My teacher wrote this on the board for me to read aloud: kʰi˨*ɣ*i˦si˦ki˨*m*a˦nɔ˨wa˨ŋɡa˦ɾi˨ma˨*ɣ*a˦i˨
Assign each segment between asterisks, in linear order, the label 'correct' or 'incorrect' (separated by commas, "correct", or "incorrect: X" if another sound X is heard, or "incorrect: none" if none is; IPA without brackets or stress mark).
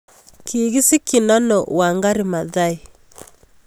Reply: correct, incorrect: n, incorrect: ð